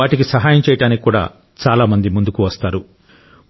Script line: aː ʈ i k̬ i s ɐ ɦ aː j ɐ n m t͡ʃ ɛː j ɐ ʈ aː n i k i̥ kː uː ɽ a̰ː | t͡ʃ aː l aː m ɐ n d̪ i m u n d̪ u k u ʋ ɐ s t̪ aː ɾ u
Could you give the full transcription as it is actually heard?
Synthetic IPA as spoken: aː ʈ i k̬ i s ɐ ɦ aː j ɐ m t͡ʃ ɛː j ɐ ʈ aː n i k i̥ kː uː ɽ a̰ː | t͡ʃ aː l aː m ɐ n d̪ i m u n d̪ u k u ʋ ɐ s t̪ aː ɾ u